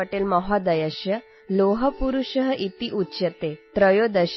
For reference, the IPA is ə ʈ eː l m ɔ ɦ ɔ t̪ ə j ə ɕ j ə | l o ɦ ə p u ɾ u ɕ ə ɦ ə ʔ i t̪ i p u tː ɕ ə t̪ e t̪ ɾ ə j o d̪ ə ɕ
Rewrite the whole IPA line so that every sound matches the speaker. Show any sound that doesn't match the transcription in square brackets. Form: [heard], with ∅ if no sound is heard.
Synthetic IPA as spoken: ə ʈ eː l m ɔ ɦ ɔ [d̪] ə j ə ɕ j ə | l o ɦ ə p u ɾ u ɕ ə ɦ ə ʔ i t̪ i [ʔ] u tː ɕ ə t̪ e t̪ ɾ ə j o d̪ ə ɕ